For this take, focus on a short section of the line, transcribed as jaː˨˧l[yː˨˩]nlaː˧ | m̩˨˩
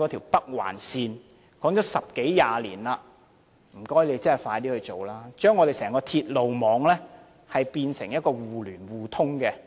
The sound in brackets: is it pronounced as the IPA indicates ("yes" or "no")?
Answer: no